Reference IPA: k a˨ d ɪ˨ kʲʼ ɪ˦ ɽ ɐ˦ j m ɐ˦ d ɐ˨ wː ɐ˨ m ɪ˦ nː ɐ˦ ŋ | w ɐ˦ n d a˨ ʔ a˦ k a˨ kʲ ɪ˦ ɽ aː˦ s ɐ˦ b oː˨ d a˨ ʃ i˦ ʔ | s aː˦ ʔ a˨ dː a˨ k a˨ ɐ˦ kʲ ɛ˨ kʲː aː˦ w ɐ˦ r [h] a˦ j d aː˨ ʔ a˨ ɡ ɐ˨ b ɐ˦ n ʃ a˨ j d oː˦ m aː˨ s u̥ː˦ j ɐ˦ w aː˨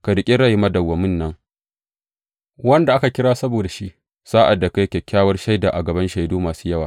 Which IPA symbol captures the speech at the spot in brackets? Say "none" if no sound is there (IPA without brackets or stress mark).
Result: ʃ